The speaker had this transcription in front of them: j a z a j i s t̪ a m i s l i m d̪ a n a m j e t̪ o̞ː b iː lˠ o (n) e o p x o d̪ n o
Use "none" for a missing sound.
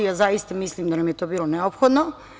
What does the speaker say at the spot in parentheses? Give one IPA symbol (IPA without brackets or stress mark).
n